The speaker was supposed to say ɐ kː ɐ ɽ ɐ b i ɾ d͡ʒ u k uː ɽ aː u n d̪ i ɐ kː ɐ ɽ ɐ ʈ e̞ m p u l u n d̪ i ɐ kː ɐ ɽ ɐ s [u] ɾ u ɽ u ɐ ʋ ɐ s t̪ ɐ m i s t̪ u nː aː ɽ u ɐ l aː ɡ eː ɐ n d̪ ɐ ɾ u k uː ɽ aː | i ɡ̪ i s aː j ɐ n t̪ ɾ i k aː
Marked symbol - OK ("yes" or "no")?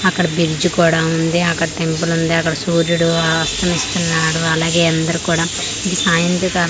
no